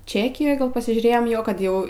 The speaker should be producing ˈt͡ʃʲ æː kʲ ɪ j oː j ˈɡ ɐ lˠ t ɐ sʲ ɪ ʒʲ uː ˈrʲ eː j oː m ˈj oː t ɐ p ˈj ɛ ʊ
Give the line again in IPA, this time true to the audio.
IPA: ˈt͡ʃʲ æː kʲ ɪ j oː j ˈɡ ɐ lˠ p ɐ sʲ ɪ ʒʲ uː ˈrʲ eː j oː m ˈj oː k ɐ t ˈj ɛ ʊ